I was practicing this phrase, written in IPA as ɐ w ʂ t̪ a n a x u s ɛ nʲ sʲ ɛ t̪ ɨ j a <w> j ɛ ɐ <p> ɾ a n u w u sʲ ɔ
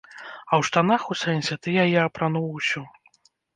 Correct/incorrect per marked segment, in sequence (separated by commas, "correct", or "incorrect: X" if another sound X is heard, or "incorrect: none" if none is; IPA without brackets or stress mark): incorrect: none, correct